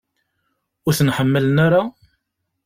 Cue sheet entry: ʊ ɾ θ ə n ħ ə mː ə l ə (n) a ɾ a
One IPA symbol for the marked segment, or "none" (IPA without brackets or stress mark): n